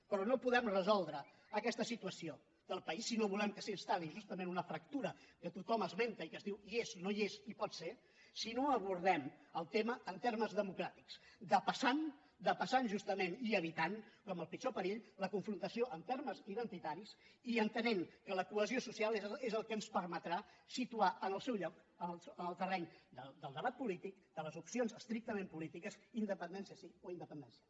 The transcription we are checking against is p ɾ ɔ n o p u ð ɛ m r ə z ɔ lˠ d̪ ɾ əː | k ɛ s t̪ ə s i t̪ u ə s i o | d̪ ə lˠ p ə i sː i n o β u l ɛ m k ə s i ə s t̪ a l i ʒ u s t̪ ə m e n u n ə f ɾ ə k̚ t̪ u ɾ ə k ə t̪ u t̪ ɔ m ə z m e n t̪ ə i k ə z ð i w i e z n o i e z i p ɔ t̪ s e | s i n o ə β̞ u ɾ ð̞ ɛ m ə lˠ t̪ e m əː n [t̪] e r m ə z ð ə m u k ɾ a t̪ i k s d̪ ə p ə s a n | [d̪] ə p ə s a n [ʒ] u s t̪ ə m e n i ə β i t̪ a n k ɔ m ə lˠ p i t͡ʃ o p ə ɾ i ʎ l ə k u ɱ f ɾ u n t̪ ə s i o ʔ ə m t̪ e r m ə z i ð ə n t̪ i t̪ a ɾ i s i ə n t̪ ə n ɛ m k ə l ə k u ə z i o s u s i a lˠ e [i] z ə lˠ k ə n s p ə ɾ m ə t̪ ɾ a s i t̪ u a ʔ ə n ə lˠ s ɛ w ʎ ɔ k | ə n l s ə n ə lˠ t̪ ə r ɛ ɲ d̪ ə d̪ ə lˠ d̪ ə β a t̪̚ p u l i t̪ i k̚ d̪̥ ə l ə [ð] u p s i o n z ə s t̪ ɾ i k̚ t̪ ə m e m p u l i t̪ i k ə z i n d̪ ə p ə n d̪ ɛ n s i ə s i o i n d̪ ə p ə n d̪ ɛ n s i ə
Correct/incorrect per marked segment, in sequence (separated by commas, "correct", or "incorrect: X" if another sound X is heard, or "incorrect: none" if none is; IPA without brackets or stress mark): correct, correct, correct, incorrect: e, incorrect: z